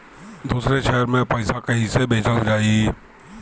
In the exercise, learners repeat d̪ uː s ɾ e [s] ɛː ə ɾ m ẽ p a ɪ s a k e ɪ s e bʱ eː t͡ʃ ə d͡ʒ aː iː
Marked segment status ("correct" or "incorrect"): incorrect